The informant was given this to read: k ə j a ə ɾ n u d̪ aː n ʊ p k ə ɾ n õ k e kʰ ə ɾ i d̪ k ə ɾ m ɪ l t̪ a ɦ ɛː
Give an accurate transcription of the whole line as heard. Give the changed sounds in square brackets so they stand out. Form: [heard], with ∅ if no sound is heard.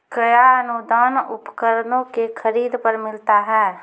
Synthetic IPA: k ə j a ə [∅] n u d̪ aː n ʊ p k ə ɾ n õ k e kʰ ə ɾ [iː] d̪ [p] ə ɾ m ɪ l t̪ a ɦ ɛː